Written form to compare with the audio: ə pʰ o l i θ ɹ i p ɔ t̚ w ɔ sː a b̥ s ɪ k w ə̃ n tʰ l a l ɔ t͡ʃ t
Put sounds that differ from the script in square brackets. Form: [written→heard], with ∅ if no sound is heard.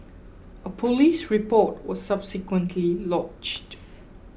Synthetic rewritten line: ə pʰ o l i [θ→s] ɹ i p ɔ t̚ w ɔ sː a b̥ s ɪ k w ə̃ n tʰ l [a→i] l ɔ t͡ʃ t